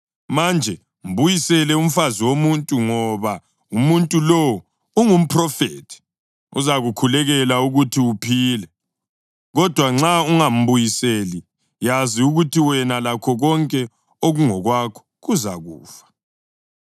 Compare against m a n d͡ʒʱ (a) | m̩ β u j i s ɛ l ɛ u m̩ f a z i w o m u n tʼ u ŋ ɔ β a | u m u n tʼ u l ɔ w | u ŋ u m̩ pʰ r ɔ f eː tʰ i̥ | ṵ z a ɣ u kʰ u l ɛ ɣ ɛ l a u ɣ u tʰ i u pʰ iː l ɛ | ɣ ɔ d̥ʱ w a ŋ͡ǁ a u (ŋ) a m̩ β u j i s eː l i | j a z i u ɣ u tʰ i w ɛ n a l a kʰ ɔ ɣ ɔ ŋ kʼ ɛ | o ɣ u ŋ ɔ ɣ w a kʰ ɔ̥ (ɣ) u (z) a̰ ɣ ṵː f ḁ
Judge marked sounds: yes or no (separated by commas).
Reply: no, yes, yes, yes